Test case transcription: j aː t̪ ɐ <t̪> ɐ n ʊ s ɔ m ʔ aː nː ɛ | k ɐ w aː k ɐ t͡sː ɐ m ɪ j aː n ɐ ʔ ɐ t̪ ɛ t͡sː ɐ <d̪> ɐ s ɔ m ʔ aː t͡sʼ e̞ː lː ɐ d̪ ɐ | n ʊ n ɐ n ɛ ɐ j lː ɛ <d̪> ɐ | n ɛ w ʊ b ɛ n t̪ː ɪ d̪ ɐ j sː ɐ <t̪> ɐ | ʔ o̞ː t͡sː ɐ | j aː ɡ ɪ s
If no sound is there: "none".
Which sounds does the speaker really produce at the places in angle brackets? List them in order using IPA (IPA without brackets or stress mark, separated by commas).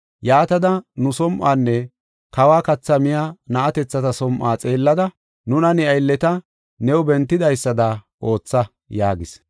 d̪, t̪, t̪, d̪